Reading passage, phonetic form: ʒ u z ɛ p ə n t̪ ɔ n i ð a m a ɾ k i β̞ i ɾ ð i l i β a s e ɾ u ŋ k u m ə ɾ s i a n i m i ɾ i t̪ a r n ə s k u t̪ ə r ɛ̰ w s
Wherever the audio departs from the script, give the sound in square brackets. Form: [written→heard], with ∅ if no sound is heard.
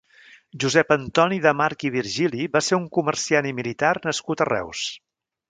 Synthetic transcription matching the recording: ʒ u z ɛ p ə n t̪ ɔ n i ð [a→ə] m a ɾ k i β̞ i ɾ [ð→ʒ] i l i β a s e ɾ u ŋ k u m ə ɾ s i a n i m i [ɾ→l] i t̪ a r n ə s k u t̪ ə r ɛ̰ w s